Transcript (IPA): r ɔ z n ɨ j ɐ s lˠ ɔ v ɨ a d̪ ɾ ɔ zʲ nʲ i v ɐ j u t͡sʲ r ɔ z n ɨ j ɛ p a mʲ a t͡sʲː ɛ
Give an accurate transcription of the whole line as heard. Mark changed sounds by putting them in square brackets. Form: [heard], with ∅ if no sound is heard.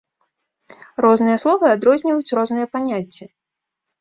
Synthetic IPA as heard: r ɔ z n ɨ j ɐ s lˠ ɔ v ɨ a d̪ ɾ ɔ zʲ nʲ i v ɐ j u t͡sʲ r ɔ z n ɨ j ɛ p a [nʲ] a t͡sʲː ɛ